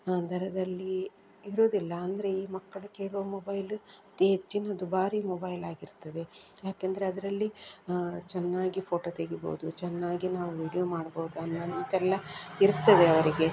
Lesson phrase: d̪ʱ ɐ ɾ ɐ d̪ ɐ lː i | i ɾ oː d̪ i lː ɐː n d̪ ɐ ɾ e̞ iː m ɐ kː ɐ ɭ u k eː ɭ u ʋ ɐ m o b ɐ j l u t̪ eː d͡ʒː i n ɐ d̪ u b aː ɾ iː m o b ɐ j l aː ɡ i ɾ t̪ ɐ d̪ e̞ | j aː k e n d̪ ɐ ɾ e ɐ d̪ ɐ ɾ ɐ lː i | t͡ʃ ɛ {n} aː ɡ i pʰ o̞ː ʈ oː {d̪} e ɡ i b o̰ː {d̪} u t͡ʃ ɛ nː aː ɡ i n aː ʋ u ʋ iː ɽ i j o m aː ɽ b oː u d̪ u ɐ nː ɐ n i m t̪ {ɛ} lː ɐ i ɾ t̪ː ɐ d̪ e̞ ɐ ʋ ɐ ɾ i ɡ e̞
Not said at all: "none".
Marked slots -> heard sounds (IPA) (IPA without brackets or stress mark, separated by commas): nː, t̪, d̪, ɛ